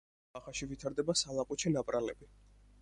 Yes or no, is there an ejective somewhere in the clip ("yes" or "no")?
yes